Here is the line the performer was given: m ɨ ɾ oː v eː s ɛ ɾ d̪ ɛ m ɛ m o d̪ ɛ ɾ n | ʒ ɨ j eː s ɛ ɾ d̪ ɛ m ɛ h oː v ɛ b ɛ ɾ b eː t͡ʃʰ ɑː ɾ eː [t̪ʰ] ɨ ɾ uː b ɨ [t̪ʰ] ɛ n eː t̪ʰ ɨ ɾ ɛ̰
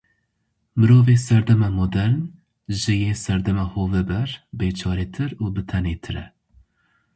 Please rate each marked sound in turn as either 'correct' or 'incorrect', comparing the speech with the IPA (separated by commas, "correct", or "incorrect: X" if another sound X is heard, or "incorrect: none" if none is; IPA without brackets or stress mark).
correct, correct